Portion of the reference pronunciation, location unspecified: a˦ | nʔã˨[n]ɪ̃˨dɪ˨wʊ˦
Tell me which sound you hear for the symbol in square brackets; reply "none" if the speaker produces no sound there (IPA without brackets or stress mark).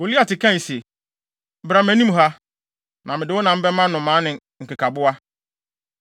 m